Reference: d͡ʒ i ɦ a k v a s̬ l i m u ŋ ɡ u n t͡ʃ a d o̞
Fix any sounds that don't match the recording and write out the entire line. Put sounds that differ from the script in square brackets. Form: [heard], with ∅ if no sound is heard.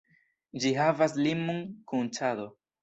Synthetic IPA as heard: d͡ʒ i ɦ a [∅] v a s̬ l i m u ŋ [k] u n t͡ʃ a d o̞